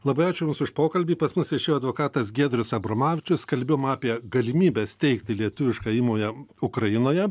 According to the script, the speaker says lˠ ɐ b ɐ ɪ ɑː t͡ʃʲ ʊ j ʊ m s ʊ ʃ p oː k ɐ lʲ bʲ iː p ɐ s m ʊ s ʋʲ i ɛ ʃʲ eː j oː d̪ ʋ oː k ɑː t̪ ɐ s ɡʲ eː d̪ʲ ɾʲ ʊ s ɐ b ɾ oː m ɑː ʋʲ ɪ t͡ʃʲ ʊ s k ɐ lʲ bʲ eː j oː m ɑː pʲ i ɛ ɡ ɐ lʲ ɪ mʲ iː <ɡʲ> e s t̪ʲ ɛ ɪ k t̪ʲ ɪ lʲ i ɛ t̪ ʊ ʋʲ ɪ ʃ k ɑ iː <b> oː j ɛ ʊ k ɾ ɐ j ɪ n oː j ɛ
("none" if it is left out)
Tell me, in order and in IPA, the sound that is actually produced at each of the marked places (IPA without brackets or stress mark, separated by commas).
bʲ, m